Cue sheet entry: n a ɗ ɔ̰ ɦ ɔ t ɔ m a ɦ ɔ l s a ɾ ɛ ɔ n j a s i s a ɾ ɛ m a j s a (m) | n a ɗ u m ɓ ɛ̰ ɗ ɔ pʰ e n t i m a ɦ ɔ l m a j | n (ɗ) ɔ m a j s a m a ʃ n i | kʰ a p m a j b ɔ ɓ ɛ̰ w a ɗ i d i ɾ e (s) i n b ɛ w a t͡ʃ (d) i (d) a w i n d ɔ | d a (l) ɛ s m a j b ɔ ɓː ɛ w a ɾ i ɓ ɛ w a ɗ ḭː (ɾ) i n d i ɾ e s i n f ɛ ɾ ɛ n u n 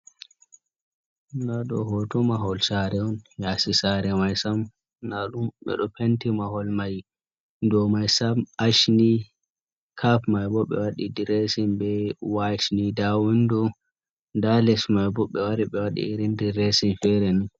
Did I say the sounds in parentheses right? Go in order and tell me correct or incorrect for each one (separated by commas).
correct, incorrect, correct, incorrect, correct, correct, correct